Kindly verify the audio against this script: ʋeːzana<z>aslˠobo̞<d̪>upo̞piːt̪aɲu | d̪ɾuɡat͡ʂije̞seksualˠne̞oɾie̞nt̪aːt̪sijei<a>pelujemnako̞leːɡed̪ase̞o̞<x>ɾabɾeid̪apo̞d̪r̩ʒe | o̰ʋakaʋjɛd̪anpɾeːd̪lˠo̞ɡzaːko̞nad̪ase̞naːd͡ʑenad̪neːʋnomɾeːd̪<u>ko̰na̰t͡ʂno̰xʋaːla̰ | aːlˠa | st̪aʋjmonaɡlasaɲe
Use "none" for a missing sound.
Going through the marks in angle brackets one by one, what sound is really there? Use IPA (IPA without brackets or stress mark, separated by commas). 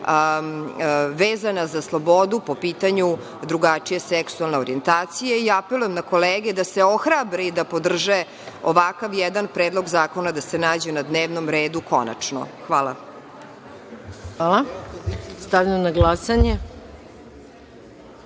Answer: z, d̪, a, x, u